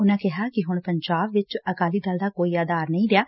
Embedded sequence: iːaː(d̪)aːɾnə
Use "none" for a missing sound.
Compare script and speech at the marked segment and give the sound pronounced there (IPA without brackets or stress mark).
d̪